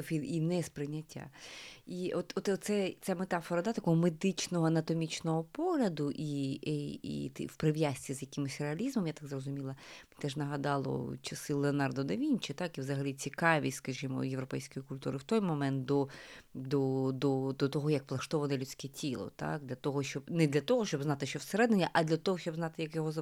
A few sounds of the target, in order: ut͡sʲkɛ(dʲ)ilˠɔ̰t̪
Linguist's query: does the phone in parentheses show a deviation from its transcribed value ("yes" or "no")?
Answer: yes